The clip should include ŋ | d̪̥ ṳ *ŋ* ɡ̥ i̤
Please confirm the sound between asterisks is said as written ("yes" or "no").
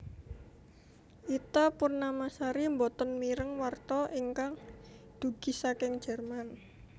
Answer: no